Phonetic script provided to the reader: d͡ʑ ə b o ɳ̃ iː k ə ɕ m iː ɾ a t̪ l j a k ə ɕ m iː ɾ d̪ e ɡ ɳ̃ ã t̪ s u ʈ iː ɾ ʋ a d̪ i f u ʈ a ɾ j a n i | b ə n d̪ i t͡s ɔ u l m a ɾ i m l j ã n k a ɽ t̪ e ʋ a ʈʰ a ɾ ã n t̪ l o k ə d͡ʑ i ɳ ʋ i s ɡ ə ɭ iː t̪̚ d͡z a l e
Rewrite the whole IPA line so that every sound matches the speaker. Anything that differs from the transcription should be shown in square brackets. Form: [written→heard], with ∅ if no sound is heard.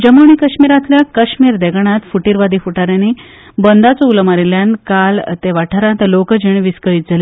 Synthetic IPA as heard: d͡ʑ ə [b→m] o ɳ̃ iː k ə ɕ m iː ɾ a t̪ l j a k ə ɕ m iː ɾ d̪ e ɡ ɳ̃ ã t̪ [s→f] u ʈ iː ɾ ʋ a d̪ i f u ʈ a ɾ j a n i | b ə n d̪ [i→a] t͡s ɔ u l m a ɾ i [m→∅] l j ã n k a [ɽ→l] t̪ e ʋ a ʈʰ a ɾ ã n t̪ l o k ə d͡ʑ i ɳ ʋ i s [ɡ→k] ə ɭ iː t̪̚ d͡z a l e